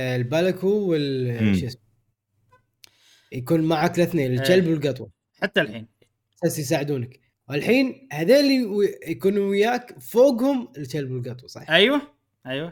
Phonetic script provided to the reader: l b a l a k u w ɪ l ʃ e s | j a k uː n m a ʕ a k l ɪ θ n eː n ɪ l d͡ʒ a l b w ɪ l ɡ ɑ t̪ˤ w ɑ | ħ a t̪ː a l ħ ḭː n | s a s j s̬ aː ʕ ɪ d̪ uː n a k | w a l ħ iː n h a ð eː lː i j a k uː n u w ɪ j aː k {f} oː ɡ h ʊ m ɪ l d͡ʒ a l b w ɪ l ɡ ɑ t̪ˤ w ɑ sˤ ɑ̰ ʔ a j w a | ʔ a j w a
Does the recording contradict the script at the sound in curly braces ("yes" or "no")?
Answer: no